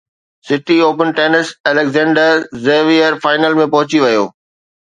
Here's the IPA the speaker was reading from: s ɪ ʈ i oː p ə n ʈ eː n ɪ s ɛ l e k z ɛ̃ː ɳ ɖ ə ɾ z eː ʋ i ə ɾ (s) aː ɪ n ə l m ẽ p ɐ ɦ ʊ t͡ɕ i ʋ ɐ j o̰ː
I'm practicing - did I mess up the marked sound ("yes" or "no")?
yes